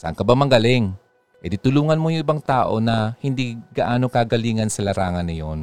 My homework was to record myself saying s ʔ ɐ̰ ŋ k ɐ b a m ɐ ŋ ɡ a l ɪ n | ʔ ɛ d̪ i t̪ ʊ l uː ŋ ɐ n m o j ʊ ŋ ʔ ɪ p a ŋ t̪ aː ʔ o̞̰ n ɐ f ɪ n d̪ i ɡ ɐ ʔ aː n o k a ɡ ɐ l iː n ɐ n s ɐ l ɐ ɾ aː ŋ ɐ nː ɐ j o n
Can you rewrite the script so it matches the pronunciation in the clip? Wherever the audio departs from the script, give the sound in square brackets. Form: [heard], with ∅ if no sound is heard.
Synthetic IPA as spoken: s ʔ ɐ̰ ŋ k ɐ b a m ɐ ŋ ɡ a l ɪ [ŋ] | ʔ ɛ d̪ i t̪ ʊ l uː ŋ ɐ n m o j ʊ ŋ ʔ ɪ [b] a ŋ t̪ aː ʔ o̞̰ n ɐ [h] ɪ n d̪ i ɡ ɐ ʔ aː n o k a ɡ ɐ l iː [ŋ] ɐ n s ɐ l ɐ ɾ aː ŋ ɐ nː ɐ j o n